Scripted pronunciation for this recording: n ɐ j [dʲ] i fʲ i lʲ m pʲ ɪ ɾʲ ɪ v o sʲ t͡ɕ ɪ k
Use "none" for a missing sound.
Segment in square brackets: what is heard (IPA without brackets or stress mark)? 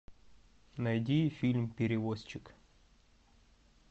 dʲ